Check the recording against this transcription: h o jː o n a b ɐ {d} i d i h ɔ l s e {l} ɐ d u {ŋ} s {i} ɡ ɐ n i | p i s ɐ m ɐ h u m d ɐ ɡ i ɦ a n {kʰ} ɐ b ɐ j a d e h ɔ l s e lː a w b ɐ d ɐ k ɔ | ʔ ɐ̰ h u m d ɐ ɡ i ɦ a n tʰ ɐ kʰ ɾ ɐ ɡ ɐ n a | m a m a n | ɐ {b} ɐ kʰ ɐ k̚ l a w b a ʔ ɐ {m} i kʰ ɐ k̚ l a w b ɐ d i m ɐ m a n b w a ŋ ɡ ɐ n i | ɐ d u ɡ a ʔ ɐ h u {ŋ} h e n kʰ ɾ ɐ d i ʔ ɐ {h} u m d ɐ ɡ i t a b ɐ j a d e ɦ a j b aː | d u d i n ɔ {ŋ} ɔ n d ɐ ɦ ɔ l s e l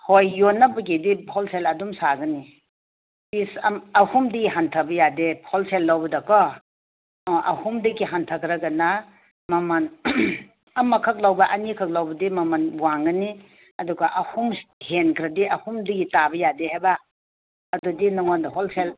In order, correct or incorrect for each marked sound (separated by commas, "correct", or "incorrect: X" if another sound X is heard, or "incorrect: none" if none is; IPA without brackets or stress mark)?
incorrect: ɡ, correct, incorrect: m, incorrect: a, incorrect: tʰ, incorrect: m, incorrect: n, incorrect: m, correct, correct